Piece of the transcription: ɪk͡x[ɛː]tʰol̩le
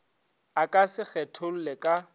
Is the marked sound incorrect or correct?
incorrect